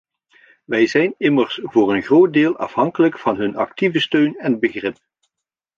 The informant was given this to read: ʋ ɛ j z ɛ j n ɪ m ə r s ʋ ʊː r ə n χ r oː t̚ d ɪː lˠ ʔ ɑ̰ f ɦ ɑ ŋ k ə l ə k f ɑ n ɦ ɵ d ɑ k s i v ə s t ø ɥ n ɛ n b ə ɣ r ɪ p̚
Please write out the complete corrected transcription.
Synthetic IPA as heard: ʋ ɛ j z ɛ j n ɪ m ə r s v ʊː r ə n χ r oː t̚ d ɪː lˠ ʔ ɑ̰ f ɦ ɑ ŋ k ə l ə k f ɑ n ɦ ɵ n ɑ k t i v ə s t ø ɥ n ɛ n b ə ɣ r ɪ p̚